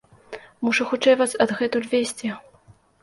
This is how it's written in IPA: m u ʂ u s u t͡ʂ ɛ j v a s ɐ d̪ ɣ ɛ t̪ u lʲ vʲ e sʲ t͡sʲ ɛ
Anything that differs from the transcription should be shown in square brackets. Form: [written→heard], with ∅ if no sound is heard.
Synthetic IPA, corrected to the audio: m u ʂ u [s→x] u t͡ʂ ɛ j v a s ɐ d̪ ɣ ɛ t̪ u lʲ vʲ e sʲ t͡sʲ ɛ